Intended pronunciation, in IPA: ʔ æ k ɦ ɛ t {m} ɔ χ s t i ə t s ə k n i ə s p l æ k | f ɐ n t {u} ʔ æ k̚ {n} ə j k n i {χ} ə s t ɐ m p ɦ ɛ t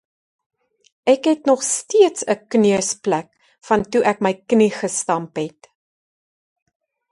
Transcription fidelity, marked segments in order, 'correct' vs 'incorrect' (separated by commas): incorrect, correct, incorrect, correct